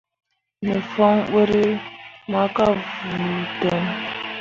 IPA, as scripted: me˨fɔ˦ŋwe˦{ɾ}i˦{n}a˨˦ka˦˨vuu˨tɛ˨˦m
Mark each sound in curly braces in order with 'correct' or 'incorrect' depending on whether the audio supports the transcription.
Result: correct, incorrect

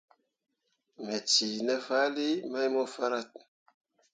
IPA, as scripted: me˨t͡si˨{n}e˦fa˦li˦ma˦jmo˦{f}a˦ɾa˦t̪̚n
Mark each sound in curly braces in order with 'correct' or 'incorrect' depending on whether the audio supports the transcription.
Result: correct, correct

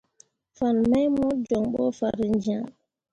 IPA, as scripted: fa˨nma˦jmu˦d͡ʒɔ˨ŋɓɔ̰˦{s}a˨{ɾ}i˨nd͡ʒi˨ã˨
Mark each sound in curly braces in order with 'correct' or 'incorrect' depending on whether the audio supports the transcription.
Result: incorrect, correct

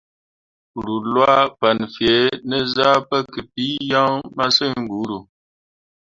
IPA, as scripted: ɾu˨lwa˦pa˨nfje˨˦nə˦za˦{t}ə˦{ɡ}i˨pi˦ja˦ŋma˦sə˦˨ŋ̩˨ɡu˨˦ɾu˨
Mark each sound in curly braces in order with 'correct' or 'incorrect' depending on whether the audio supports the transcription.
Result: incorrect, incorrect

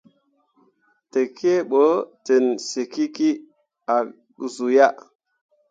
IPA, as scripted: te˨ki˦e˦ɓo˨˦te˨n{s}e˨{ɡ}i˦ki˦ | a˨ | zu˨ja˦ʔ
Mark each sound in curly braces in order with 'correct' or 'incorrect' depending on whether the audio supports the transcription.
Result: correct, incorrect

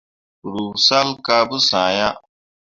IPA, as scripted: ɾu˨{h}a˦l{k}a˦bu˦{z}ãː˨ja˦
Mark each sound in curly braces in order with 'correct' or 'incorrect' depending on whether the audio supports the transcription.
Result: incorrect, correct, incorrect

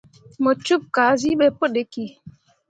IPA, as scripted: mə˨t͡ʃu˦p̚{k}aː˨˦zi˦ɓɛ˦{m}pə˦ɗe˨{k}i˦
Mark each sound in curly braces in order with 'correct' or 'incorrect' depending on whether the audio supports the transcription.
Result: correct, incorrect, correct

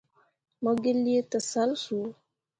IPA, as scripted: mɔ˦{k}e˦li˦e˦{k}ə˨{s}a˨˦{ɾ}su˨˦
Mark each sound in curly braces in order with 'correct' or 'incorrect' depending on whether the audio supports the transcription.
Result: incorrect, incorrect, correct, incorrect

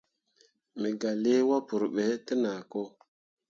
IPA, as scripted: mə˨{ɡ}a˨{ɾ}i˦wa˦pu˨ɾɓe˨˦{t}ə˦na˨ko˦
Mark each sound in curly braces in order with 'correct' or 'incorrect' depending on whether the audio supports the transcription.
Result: correct, incorrect, correct

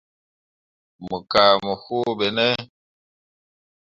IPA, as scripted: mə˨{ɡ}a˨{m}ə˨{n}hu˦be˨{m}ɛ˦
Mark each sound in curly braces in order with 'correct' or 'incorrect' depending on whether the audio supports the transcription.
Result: incorrect, correct, incorrect, incorrect

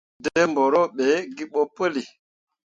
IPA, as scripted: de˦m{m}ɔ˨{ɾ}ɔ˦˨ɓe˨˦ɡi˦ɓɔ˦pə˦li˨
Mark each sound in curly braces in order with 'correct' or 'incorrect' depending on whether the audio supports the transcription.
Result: incorrect, correct

